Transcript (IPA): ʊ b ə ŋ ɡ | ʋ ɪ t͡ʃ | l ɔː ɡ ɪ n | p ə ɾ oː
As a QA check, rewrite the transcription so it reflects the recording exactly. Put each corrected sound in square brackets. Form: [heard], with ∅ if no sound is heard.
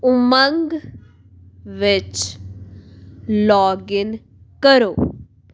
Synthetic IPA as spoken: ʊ [m] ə ŋ ɡ | ʋ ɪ t͡ʃ | l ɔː ɡ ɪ n | [k] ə ɾ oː